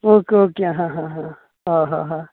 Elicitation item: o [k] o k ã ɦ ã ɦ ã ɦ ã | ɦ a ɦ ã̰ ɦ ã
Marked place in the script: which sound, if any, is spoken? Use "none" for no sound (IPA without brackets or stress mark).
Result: k